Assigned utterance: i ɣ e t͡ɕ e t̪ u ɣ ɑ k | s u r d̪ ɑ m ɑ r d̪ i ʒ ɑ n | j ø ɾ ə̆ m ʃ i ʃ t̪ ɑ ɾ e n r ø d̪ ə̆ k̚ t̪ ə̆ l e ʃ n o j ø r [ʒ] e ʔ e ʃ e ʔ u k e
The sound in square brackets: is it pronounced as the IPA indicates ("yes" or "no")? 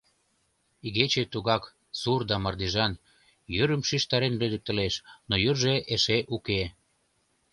yes